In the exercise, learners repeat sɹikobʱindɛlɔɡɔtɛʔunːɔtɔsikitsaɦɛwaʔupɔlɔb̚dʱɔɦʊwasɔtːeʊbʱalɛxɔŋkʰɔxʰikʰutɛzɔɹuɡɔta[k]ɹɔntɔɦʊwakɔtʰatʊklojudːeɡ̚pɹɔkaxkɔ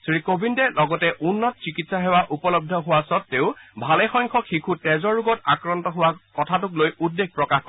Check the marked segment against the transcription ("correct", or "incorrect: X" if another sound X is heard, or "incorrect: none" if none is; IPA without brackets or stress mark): correct